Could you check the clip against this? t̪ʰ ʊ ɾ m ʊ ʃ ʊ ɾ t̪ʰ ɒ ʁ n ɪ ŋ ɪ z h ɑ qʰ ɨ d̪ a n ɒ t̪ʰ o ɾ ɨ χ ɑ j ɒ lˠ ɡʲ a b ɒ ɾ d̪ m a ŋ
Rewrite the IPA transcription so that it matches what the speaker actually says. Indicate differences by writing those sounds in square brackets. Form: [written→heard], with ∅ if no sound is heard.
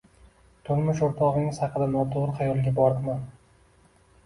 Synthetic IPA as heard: t̪ʰ ʊ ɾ m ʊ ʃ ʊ ɾ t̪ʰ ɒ ʁ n ɪ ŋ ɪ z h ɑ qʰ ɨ d̪ a n ɒ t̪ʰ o ɾ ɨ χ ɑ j ɒ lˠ ɡʲ a b ɒ ɾ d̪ m a [ŋ→n]